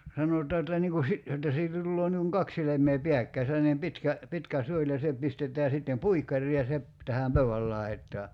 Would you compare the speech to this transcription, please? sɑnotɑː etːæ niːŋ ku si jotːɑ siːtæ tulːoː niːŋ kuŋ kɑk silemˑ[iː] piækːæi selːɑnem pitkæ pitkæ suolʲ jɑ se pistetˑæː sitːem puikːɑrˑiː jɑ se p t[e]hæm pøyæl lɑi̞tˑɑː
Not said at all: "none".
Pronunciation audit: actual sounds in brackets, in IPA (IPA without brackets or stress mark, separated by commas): eː, æ